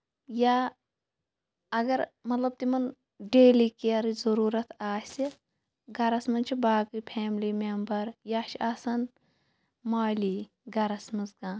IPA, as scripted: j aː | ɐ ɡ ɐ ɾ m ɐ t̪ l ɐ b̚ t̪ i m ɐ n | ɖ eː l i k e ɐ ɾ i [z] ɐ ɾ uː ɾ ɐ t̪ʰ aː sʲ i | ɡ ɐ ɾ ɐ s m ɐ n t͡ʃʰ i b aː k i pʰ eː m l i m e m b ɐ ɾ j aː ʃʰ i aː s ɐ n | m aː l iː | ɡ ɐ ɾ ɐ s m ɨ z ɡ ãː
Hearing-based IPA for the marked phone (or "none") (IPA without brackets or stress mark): z